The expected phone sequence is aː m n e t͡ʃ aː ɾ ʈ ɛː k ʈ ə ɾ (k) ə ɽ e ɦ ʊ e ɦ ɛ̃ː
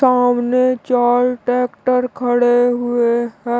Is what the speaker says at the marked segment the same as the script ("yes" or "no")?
no